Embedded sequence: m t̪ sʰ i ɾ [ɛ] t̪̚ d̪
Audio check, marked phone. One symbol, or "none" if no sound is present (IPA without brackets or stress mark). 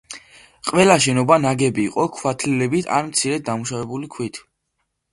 ɛ